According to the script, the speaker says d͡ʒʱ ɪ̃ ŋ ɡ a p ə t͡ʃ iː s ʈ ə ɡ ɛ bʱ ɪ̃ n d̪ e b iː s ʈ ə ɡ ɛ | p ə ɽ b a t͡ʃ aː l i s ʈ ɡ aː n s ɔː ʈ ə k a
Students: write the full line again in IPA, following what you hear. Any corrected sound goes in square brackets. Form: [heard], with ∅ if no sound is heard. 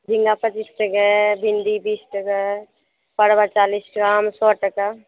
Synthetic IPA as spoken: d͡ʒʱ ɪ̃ ŋ ɡ a p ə t͡ʃ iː s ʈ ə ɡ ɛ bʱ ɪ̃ n d̪ [i] b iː s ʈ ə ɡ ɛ | p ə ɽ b a t͡ʃ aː l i s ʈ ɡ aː [m] s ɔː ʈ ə k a